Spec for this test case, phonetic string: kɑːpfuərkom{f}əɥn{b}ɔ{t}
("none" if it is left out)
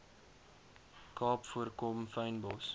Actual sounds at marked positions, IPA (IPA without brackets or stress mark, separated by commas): f, b, s